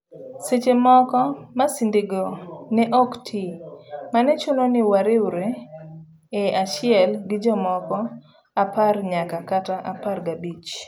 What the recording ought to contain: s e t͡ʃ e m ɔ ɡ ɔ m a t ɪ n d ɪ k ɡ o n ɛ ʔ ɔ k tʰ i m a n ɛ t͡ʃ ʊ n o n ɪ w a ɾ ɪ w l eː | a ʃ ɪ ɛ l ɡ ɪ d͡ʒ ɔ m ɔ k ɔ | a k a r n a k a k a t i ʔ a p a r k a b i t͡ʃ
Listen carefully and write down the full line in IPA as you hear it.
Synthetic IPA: s e t͡ʃ e m ɔ k ɔ m a s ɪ n d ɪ ɡ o n ɛ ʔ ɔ k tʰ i m a n ɛ t͡ʃ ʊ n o n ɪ w a ɾ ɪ w ɾ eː | a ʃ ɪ ɛ l ɡ ɪ d͡ʒ ɔ m ɔ k ɔ | a p a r ɲ a k a k a t a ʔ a p a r ɡ a b i t͡ʃ